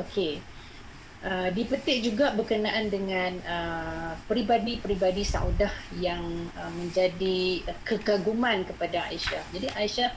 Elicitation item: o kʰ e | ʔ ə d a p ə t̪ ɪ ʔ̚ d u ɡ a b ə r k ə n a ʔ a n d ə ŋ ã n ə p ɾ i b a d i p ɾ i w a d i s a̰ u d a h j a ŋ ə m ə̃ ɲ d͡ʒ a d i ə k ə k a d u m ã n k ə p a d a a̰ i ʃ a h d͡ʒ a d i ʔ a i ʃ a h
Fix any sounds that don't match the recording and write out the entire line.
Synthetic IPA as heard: o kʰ e | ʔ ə d i p ə t̪ ɪ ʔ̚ d͡ʒ u ɡ a b ə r k ə n a ʔ a n d ə ŋ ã n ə p ɾ i b a d i p ɾ i b a d i s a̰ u d a h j a ŋ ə m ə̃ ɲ d͡ʒ a d i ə k ə k a ɡ u m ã n k ə p a d a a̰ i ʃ a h d͡ʒ a d i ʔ a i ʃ a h